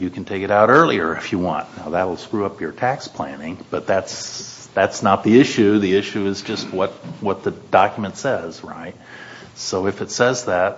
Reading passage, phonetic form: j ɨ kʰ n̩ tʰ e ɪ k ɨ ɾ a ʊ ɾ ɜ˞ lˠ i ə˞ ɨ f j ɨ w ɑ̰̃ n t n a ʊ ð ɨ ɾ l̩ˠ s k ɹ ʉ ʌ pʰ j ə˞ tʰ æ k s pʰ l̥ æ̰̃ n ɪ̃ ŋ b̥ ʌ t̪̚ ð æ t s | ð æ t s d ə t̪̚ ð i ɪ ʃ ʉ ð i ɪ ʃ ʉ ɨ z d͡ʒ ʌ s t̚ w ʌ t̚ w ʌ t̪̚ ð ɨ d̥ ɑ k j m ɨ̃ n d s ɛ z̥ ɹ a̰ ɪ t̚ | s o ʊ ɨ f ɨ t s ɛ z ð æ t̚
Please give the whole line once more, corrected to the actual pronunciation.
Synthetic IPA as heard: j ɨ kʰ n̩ tʰ e ɪ k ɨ ɾ a ʊ ɾ ɜ˞ lˠ i ə˞ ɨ f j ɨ w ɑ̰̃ n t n a ʊ ð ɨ ɾ l̩ˠ s k ɹ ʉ ʌ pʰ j ə˞ tʰ æ k s pʰ l̥ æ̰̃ n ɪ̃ ŋ b̥ ʌ t̪̚ ð æ t s | ð æ t s n ə t̪̚ ð i ɪ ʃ ʉ ð i ɪ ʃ ʉ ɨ z d͡ʒ ʌ s t̚ w ʌ t̚ w ʌ t̪̚ ð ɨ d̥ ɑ k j m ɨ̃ n t s ɛ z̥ ɹ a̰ ɪ t̚ | s o ʊ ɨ f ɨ t s ɛ z ð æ t̚